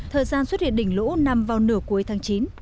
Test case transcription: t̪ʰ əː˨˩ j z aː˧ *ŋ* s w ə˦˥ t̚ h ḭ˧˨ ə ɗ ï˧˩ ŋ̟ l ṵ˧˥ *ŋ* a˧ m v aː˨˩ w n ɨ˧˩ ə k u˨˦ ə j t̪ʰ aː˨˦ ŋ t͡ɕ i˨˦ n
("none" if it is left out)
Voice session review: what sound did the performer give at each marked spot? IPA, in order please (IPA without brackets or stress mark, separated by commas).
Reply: n, n